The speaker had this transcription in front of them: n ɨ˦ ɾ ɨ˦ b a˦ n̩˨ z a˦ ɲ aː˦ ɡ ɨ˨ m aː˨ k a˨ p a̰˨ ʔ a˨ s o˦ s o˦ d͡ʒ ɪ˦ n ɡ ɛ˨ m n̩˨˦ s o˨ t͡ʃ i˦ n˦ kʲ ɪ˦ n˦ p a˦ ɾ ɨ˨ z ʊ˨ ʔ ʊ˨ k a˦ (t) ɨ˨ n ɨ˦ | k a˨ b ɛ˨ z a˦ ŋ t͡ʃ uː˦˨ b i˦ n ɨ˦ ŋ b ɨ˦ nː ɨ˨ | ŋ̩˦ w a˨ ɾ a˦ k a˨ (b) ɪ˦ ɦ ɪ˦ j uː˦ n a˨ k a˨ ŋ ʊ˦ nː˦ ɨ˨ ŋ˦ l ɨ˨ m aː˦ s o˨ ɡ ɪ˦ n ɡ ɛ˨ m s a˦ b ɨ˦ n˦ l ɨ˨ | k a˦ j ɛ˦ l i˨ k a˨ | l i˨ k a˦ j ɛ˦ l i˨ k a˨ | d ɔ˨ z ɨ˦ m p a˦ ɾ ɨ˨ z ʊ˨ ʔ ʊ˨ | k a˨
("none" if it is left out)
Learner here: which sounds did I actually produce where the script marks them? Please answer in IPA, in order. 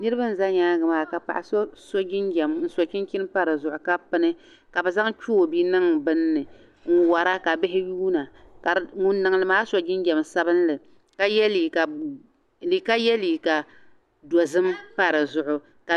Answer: p, b

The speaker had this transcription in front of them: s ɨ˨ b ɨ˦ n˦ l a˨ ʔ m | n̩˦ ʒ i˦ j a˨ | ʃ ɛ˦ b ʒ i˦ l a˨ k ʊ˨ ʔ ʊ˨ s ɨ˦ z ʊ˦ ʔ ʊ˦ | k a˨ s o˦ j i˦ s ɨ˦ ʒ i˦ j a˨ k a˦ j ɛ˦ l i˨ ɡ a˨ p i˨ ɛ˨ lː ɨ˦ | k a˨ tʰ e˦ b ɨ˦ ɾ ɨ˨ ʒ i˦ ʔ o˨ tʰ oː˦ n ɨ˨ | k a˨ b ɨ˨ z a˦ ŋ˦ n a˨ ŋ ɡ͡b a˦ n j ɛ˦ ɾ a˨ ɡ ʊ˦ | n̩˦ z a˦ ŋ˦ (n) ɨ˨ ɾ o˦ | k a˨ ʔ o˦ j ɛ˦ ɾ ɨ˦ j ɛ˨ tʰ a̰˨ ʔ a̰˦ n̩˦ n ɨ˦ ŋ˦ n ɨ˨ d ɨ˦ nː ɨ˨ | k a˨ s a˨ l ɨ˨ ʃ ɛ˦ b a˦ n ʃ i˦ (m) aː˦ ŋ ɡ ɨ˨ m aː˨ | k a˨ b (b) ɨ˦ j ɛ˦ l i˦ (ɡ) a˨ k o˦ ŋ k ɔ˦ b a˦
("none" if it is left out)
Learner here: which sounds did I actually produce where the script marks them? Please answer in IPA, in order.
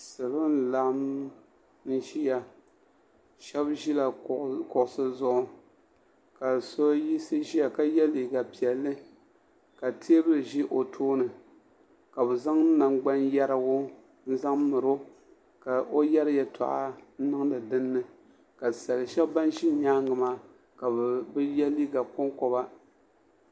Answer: m, ɲ, b, ɡ

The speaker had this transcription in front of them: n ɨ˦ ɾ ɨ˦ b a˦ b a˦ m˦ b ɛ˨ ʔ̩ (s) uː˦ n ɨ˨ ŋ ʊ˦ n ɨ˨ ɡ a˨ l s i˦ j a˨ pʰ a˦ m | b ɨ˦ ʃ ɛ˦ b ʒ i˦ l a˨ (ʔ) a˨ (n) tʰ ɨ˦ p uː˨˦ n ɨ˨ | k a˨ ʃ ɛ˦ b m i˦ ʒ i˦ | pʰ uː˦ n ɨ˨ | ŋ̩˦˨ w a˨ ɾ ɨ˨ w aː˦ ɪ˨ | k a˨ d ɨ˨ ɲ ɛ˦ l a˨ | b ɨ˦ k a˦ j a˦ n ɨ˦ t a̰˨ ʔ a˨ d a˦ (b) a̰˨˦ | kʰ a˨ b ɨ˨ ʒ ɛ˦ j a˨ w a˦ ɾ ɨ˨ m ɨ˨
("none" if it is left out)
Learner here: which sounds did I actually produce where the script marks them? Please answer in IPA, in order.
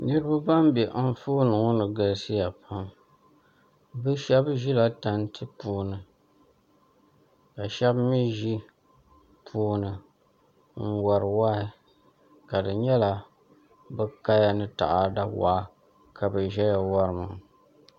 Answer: f, t, n, w

